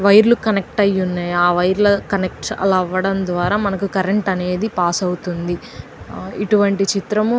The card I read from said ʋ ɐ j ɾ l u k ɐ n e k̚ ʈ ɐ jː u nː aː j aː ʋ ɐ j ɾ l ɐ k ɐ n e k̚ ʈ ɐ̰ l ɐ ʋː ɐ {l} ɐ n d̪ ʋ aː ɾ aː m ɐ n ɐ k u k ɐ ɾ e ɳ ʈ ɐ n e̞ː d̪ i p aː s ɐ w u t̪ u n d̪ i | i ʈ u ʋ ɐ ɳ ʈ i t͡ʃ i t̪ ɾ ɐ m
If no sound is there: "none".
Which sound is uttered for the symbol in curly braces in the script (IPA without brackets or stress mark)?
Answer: ɽ